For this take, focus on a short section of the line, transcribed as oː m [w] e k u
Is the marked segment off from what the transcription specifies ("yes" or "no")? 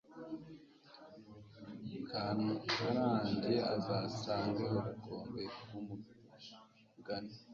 yes